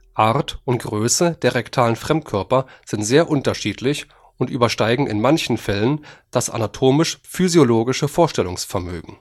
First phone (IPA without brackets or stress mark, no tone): ʔ